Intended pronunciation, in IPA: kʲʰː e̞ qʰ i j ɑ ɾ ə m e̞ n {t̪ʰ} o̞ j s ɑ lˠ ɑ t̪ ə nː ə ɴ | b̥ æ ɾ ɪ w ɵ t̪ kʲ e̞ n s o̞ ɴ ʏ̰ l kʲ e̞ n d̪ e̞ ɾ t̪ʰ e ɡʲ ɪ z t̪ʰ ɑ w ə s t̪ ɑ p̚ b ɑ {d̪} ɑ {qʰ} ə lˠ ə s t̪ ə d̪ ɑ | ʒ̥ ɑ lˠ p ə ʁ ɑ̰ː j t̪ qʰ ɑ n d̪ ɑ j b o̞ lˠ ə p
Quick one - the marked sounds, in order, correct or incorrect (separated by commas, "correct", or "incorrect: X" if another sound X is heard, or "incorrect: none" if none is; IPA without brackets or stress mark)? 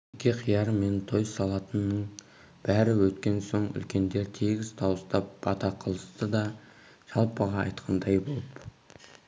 correct, incorrect: t̪, correct